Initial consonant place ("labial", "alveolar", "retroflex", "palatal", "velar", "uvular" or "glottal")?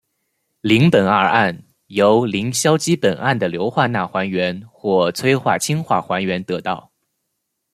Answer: alveolar